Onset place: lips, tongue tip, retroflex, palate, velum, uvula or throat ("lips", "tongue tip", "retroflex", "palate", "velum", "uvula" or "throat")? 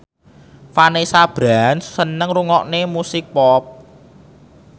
lips